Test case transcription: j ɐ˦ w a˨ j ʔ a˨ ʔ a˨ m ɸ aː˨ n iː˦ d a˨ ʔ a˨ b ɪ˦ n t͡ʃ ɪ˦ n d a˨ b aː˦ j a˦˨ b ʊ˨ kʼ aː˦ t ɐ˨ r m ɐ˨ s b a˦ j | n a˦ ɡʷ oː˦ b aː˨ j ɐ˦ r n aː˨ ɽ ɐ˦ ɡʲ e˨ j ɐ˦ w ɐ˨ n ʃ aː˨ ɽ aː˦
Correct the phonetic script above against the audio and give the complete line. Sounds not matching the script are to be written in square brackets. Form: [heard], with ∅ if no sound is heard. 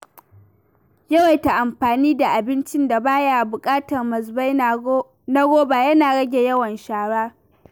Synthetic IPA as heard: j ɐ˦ w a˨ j [t] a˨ ʔ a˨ m ɸ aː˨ n iː˦ d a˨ ʔ a˨ b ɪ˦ n t͡ʃ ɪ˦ n d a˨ b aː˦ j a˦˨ b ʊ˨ kʼ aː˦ t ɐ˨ r m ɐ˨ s b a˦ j | n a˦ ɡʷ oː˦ b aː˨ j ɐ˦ [∅] n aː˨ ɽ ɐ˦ ɡʲ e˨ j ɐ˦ w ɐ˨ n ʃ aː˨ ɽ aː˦